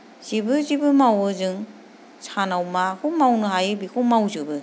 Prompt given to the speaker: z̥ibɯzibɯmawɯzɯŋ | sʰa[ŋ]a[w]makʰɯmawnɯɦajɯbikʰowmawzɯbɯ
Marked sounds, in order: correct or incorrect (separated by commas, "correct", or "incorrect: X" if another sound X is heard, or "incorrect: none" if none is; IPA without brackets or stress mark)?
incorrect: n, correct